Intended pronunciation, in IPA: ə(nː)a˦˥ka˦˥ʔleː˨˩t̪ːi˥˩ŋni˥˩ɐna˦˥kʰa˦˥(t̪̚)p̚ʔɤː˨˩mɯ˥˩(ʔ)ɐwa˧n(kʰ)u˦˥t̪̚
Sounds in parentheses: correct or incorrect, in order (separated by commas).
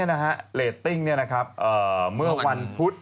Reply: incorrect, incorrect, incorrect, incorrect